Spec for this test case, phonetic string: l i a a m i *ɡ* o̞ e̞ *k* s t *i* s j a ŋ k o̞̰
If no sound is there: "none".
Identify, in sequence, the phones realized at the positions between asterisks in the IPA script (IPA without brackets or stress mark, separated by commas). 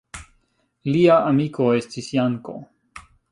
k, none, i